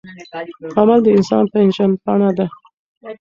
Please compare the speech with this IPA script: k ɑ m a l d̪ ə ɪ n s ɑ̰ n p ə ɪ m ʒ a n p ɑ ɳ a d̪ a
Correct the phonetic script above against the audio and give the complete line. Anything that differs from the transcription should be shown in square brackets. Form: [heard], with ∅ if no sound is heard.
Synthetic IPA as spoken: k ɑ m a l d̪ ə ɪ n s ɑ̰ n p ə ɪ [n] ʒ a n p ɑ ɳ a d̪ a